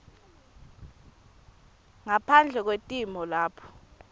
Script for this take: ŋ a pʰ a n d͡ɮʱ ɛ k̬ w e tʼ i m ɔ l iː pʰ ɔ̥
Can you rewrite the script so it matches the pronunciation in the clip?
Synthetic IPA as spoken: ŋ a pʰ a n d͡ɮʱ ɛ k̬ w e tʼ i m ɔ l aː pʰ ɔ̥